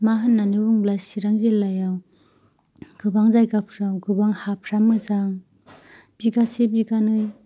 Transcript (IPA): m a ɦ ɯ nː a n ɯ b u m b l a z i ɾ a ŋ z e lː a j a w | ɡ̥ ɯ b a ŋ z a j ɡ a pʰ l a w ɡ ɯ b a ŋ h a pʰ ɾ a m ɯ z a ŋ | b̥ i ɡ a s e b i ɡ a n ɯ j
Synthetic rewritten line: m a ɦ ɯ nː a n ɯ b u ŋ b l a s i ɾ a ŋ z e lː a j a w | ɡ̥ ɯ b a ŋ z a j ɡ a pʰ ɾ a w ɡ ɯ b a ŋ h a pʰ ɾ a m ɯ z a ŋ | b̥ i ɡ a s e b i ɡ a n ɯ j

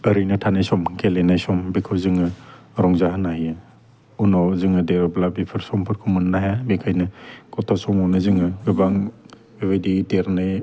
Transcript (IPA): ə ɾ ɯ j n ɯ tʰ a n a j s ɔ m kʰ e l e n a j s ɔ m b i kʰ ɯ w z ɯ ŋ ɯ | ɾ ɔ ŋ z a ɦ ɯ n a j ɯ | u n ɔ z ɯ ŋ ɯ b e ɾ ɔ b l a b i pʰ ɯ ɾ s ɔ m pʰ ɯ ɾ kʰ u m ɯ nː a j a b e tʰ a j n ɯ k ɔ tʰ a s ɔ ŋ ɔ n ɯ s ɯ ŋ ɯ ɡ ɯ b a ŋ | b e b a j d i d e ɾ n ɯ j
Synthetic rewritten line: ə ɾ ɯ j n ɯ tʰ a n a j s ɔ m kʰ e l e n a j s ɔ m b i kʰ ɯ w z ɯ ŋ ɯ | ɾ ɔ ŋ z a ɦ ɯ n a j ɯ | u n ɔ z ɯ ŋ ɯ d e ɾ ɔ b l a b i pʰ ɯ ɾ s ɔ m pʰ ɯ ɾ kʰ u m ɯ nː a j a b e kʰ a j n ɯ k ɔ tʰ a s ɔ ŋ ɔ n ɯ z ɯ ŋ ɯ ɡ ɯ b a ŋ | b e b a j d i d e ɾ n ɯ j

